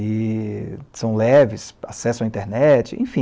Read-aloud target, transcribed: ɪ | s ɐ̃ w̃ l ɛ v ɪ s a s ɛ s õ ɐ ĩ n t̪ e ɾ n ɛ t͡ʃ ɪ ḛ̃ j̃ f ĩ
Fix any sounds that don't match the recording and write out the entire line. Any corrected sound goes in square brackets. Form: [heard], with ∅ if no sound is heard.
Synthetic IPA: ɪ | s ɐ̃ w̃ l ɛ v ɪ s a s ɛ s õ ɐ ĩ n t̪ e ɾ n ɛ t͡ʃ ɪ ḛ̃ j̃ f ĩ